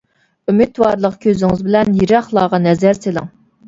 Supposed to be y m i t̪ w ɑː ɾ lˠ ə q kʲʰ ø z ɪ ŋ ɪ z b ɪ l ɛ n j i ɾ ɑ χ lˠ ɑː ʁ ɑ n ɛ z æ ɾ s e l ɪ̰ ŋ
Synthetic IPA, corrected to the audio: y m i t̪ w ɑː ɾ lˠ ə q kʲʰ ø z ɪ ŋ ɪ z b ɪ l ɛ n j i ɾ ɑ χ lˠ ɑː ʁ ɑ n ɛ z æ ɾ s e l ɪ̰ ŋ